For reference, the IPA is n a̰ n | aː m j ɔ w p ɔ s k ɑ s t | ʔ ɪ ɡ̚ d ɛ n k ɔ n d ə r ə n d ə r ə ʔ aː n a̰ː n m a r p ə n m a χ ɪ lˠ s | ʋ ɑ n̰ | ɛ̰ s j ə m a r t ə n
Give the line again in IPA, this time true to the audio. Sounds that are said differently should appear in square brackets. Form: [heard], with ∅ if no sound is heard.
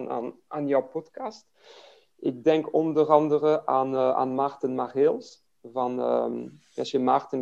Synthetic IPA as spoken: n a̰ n | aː [n] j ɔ w p ɔ [t] k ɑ s t | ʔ ɪ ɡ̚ d ɛ [ŋ] k ɔ n d ə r [ɑ] n d ə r ə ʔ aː n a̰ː n m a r [t] ə n m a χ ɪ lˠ s | [v] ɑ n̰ | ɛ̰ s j ə m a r t ə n